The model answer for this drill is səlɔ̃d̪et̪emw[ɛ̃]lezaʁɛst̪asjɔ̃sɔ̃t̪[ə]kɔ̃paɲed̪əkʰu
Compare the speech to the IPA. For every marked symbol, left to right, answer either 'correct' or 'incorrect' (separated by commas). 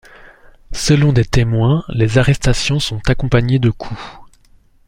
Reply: correct, incorrect